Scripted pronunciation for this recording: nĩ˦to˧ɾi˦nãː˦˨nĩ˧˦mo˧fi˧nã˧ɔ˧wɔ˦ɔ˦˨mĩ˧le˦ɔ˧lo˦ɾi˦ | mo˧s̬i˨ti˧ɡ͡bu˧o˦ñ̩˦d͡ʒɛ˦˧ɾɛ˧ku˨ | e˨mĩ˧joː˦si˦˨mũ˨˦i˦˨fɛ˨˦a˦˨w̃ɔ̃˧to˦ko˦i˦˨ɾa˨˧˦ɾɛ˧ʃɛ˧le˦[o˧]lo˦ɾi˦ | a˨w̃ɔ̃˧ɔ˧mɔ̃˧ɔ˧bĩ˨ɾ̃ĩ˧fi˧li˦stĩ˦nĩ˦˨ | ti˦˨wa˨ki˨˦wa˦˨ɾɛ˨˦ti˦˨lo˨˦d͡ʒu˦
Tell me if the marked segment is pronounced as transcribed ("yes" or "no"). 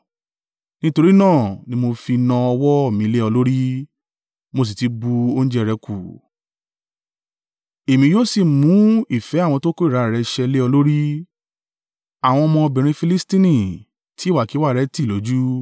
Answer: no